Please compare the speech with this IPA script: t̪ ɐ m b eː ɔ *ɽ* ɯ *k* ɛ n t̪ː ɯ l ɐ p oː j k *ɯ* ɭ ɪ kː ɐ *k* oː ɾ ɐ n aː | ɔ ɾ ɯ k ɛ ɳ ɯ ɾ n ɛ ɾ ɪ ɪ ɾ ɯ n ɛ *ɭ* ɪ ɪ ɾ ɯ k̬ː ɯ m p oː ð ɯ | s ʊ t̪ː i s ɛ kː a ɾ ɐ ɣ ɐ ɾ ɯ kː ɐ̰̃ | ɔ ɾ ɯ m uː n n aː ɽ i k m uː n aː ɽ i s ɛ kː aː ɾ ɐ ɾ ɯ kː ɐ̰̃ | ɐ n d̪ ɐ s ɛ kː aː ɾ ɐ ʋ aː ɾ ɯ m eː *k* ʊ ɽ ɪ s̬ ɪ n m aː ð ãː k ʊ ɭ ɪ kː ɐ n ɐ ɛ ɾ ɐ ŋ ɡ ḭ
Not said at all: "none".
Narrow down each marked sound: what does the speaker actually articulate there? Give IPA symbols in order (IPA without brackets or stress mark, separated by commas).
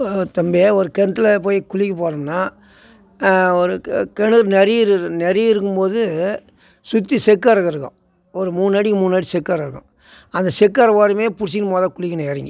ɾ, k, ʊ, p, ɾ, p